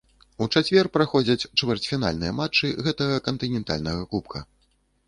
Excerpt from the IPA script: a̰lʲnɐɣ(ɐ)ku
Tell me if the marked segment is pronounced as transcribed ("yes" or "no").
yes